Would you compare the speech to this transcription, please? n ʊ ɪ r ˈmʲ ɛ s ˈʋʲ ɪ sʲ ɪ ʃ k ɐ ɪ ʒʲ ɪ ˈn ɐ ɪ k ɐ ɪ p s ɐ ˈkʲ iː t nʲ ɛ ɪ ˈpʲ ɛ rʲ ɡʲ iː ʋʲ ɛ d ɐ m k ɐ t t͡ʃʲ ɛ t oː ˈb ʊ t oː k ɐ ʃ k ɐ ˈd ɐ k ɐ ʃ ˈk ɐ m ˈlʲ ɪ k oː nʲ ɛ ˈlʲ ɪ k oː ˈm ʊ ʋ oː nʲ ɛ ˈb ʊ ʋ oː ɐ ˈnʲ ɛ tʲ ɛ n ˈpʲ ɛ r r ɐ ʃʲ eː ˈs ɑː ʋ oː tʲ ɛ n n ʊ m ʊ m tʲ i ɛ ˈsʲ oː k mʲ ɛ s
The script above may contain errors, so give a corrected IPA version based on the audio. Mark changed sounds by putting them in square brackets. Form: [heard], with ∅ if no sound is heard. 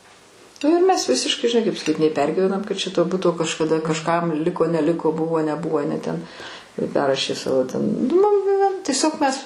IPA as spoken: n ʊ ɪ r ˈmʲ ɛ s ˈʋʲ ɪ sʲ ɪ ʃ k ɐ ɪ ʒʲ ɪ ˈn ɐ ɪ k ɐ ɪ p s ɐ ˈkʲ iː t nʲ ɛ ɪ ˈpʲ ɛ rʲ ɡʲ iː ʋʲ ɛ [n] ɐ m k ɐ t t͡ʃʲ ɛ t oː ˈb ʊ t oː k ɐ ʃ k ɐ ˈd ɐ k ɐ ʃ ˈk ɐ m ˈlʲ ɪ k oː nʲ ɛ ˈlʲ ɪ k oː [ˈb] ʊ ʋ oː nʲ ɛ ˈb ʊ ʋ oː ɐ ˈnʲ ɛ tʲ ɛ n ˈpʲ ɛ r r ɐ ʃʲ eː ˈs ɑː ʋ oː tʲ ɛ n n ʊ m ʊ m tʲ i ɛ ˈsʲ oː k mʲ ɛ s